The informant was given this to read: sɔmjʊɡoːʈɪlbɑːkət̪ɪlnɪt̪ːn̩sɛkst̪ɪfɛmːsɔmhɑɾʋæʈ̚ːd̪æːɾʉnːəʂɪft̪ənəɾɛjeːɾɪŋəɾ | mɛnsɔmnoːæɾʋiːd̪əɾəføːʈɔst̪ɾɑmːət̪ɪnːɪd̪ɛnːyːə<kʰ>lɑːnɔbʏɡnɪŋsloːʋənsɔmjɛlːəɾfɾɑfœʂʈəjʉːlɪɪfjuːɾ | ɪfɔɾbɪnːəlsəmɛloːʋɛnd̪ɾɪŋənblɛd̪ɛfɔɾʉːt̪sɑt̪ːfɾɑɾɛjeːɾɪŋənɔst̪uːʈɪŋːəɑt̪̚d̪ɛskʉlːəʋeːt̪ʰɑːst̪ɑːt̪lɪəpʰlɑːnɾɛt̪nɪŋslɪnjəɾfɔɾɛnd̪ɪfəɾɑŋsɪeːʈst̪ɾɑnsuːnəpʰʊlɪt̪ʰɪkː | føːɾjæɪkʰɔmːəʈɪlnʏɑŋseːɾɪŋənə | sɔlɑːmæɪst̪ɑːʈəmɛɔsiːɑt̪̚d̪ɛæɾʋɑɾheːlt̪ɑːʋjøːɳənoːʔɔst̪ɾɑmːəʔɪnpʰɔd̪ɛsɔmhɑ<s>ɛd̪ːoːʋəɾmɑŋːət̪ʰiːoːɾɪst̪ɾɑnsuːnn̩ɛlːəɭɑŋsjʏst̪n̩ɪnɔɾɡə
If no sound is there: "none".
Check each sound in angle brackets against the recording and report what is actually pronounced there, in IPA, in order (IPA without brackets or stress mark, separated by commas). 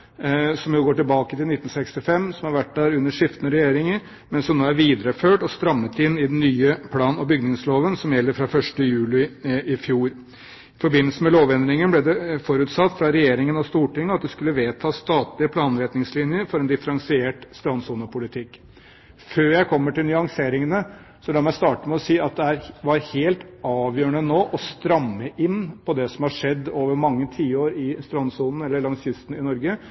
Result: pʰ, ʂ